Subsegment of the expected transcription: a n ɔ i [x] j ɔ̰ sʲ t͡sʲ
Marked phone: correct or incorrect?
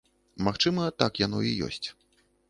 incorrect